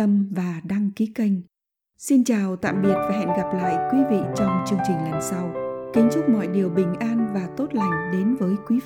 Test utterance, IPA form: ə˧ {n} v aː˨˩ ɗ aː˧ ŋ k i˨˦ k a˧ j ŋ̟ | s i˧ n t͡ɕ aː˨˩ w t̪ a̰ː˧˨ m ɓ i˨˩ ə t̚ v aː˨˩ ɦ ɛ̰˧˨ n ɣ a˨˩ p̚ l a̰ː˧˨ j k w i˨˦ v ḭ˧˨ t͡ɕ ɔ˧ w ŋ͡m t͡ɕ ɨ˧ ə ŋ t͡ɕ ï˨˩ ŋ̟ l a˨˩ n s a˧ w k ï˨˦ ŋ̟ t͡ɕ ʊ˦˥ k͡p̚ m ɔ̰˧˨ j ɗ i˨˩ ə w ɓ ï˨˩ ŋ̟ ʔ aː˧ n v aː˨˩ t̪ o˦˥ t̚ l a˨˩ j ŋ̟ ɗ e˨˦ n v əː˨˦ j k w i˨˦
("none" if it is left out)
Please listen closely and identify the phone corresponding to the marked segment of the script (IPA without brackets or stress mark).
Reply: m